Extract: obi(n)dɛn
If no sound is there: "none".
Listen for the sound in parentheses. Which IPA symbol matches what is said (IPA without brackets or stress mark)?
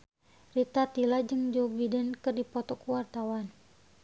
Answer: none